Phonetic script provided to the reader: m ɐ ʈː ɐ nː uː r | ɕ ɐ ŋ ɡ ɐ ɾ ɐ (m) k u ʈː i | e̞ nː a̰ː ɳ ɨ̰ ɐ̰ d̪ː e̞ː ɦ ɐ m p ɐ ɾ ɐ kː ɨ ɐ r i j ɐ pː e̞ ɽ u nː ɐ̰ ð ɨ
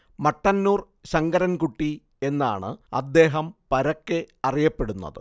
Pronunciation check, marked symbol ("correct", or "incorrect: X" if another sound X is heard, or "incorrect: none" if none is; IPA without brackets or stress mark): incorrect: n